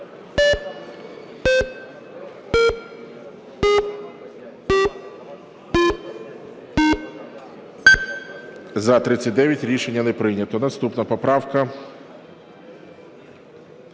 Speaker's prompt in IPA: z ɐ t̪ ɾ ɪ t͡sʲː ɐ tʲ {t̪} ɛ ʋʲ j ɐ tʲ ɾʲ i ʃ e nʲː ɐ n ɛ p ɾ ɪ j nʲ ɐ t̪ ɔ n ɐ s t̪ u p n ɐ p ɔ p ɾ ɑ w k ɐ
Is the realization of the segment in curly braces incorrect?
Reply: yes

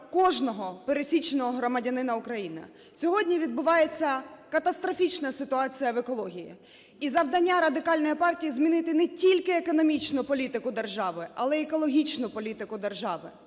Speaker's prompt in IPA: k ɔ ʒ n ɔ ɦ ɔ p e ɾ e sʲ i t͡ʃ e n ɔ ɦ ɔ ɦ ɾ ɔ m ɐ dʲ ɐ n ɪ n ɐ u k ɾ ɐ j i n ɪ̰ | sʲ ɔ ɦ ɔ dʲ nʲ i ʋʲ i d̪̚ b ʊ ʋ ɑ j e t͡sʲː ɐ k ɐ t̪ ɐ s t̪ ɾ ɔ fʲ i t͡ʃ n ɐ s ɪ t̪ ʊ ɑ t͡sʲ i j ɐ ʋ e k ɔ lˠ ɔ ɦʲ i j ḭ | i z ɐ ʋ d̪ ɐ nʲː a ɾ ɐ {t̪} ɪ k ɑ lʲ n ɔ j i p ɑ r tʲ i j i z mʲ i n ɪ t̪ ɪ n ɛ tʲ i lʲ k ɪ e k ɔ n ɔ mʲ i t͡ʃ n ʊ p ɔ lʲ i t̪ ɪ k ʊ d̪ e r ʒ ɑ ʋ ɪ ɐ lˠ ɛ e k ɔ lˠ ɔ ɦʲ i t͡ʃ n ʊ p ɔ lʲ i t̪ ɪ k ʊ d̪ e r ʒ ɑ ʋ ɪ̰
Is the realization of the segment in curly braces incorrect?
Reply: yes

